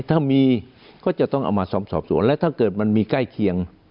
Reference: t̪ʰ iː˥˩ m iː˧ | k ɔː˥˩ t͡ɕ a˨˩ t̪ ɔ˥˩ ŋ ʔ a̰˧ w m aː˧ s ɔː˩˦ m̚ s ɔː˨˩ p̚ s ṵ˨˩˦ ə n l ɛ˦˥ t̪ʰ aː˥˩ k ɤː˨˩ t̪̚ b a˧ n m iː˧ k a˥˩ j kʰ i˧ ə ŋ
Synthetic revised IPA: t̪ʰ aː˥˩ m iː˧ | k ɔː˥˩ t͡ɕ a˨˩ t̪ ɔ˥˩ ŋ ʔ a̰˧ w m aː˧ s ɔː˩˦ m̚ s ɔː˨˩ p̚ s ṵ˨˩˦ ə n l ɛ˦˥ t̪ʰ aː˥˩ k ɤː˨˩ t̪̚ m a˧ n m iː˧ k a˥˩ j kʰ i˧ ə ŋ